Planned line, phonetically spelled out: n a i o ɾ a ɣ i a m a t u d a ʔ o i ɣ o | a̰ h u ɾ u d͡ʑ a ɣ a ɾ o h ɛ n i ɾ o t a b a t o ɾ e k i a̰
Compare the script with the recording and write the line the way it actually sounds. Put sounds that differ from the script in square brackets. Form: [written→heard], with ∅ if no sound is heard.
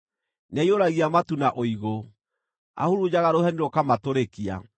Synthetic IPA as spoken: n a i o ɾ a ɣ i a m a t u [d→n] a ʔ o i ɣ o | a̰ h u ɾ u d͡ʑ a ɣ a ɾ o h ɛ n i ɾ o [t→k] a [b→m] a t o ɾ e k i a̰